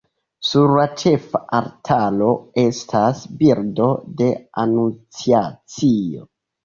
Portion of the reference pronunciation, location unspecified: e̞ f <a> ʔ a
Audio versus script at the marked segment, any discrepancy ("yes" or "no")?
no